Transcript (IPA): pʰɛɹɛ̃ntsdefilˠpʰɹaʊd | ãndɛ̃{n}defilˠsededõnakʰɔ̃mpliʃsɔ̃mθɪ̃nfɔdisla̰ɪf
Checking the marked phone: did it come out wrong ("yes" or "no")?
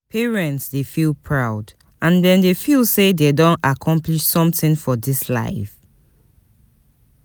no